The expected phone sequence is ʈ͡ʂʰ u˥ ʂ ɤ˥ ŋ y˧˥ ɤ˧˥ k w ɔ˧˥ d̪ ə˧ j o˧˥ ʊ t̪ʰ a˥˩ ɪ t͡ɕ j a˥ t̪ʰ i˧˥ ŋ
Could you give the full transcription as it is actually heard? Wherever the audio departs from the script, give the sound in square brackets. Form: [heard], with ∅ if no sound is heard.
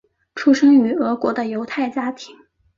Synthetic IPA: ʈ͡ʂʰ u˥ ʂ ɤ˥ ŋ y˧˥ ɤ˧˥ k w ɔ˧˥ d̪ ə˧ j o˧˥ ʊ t̪ʰ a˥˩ ɪ t͡ɕ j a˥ t̪ʰ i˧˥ ŋ